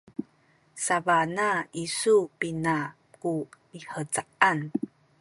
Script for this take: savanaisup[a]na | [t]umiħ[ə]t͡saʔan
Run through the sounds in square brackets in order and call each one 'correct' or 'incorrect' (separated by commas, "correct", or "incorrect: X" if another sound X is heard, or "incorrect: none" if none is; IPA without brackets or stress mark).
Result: incorrect: i, incorrect: k, correct